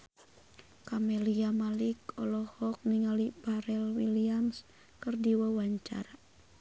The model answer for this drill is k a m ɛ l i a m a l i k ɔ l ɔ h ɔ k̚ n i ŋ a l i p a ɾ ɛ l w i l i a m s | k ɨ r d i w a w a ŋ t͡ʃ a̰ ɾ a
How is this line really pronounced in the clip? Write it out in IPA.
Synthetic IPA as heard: k a m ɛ l i a m a l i k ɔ l ɔ h ɔ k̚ n i ŋ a l i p a ɾ ɛ l w i l i a m s | k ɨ r d i w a w a ɲ t͡ʃ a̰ ɾ a

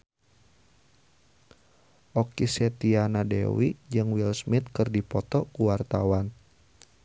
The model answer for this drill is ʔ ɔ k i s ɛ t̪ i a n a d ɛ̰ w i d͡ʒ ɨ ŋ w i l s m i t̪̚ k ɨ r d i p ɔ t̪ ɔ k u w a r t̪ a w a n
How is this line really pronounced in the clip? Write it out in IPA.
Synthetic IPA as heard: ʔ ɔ k i s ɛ t̪ i a n a d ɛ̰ w i d͡ʒ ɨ ŋ w i l s m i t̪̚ k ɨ r d i p ɔ t̪ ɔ k u w a r t̪ a w a n

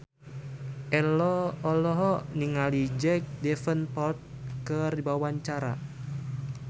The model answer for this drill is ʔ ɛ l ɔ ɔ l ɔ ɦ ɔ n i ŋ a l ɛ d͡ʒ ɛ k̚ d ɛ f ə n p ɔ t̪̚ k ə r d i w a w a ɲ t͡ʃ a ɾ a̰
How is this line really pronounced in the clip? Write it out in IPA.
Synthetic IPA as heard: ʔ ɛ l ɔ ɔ l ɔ ɦ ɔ n i ŋ a l i d͡ʒ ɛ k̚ d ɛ f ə n p ɔ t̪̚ k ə r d i b a w a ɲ t͡ʃ a ɾ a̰

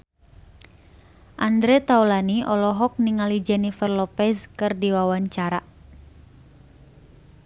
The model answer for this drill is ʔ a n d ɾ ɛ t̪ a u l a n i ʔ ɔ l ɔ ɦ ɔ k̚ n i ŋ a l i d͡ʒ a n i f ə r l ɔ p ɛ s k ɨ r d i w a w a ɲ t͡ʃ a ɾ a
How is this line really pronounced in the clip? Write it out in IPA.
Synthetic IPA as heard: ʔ a n d ɾ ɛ t̪ a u l a n i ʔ ɔ l ɔ ɦ ɔ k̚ n i ŋ a l i d͡ʒ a n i f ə r l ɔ p ɛ s k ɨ r d i w a w a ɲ t͡ʃ a ɾ a

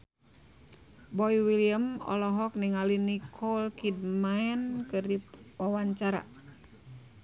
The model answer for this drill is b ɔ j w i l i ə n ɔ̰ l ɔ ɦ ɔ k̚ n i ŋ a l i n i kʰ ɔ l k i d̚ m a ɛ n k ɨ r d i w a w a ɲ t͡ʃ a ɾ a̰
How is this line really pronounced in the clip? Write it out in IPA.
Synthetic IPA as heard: b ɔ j w i l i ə m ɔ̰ l ɔ ɦ ɔ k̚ n i ŋ a l i n i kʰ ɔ l k i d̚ m a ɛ n k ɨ r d i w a w a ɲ t͡ʃ a ɾ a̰

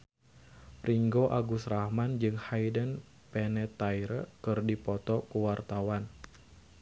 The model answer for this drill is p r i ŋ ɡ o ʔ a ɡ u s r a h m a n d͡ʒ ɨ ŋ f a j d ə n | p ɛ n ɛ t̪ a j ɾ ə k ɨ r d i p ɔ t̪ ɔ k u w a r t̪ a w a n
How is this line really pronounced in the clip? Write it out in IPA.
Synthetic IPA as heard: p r i ŋ ɡ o ʔ a ɡ u s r a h m a n d͡ʒ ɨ ŋ h a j d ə n | p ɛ n ɛ t̪ a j ɾ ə k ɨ r d i p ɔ t̪ ɔ k u w a r t̪ a w a n

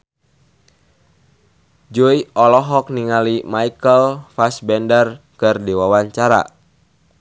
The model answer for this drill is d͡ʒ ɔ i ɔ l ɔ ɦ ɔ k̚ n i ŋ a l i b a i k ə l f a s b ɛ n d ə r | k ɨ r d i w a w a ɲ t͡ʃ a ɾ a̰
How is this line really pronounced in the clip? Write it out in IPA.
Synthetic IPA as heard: d͡ʒ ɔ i ɔ l ɔ ɦ ɔ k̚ n i ŋ a l i m a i k ə l f a s b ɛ n d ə r | k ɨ r d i w a w a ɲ t͡ʃ a ɾ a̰

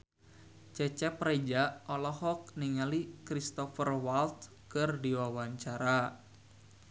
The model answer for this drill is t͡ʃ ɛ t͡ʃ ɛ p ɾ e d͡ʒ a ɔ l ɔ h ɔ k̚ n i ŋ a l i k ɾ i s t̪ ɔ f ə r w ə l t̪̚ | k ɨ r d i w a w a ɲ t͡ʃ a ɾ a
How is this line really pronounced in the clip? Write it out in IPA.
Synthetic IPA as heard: t͡ʃ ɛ t͡ʃ ɛ p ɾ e d͡ʒ a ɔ l ɔ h ɔ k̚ n i ŋ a l i k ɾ i s t̪ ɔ f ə r w a l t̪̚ | k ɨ r d i w a w a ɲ t͡ʃ a ɾ a

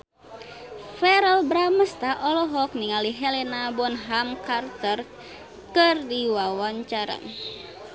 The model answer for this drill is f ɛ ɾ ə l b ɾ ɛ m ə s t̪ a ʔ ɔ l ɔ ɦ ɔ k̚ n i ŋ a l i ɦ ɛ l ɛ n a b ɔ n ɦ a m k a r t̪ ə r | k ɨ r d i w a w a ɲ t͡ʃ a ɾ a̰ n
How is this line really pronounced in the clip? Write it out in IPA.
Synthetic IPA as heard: f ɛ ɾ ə l b ɾ a m ə s t̪ a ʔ ɔ l ɔ ɦ ɔ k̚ n i ŋ a l i ɦ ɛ l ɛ n a b ɔ n ɦ a m k a r t̪ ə r | k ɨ r d i w a w a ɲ t͡ʃ a ɾ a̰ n

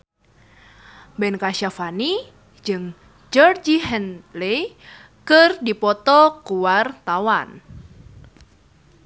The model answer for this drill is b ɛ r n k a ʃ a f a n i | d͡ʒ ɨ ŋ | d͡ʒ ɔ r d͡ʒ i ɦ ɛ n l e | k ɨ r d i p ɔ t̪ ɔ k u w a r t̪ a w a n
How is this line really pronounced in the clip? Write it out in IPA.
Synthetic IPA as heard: b ɛ n k a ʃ a f a n i | d͡ʒ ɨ ŋ | d͡ʒ ɔ r d͡ʒ i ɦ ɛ n l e | k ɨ r d i p ɔ t̪ ɔ k u w a r t̪ a w a n

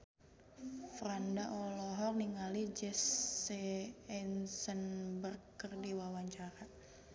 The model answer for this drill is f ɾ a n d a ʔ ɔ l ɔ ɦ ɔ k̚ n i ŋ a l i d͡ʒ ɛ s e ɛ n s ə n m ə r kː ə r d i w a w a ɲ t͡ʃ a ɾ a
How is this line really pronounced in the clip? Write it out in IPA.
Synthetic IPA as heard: f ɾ a n d a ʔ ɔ l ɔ ɦ ɔ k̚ n i ŋ a l i d͡ʒ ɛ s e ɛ n s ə n b ə r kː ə r d i w a w a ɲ t͡ʃ a ɾ a

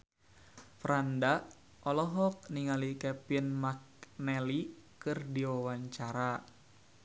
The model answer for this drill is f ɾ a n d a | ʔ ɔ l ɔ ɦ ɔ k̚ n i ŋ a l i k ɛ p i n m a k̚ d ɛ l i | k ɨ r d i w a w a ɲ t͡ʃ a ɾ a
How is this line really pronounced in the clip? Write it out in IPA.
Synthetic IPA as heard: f ɾ a n d a | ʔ ɔ l ɔ ɦ ɔ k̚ n i ŋ a l i k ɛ p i n m a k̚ n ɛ l i | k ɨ r d i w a w a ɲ t͡ʃ a ɾ a

